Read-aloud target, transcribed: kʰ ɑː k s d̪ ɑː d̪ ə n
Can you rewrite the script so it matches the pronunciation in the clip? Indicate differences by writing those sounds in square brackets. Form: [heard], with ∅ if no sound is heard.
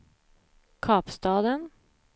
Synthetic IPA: kʰ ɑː [p] s [t̪] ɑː d̪ ə n